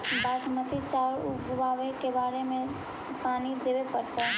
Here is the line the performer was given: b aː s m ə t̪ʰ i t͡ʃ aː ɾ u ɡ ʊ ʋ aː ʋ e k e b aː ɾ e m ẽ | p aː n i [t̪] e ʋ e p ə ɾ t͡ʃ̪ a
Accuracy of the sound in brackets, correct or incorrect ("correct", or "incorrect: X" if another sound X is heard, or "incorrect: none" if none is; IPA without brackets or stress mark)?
incorrect: d̪